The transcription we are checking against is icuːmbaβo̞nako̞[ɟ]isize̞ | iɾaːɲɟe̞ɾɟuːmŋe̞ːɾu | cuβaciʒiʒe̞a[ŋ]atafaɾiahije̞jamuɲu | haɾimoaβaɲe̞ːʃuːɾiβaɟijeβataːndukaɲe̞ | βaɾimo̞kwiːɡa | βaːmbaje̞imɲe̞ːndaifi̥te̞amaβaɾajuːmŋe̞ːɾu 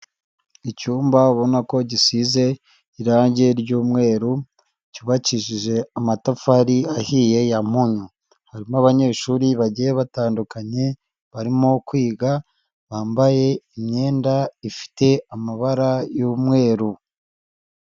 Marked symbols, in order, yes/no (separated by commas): yes, no